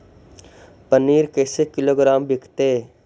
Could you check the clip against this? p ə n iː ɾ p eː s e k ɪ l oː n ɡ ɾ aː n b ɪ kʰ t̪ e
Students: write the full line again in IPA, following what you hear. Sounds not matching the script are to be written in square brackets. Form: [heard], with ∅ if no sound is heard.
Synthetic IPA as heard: p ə n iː ɾ [k] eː s e k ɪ l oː [∅] ɡ ɾ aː [m] b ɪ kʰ t̪ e

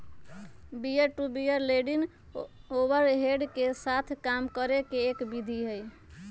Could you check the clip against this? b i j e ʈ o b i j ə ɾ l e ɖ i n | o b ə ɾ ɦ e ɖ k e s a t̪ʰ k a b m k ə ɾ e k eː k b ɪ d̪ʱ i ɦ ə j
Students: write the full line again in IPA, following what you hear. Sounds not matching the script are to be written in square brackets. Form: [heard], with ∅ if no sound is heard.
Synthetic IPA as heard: b i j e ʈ [u] b i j ə ɾ l e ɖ i n | o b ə ɾ ɦ e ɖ k e s a t̪ʰ k a [∅] m k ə ɾ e k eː k b [i] d̪ʱ i ɦ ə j

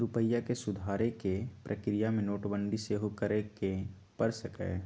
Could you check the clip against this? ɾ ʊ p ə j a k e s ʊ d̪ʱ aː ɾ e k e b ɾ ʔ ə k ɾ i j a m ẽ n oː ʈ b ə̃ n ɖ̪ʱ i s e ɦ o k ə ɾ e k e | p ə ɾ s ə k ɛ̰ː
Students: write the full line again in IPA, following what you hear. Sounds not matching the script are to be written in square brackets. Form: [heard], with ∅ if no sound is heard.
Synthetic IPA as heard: ɾ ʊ p ə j a k e s ʊ d̪ʱ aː ɾ e k e [p] ɾ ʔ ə k ɾ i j a m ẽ n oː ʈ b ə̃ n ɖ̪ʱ i s e ɦ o k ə ɾ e k e | p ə ɾ s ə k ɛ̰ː

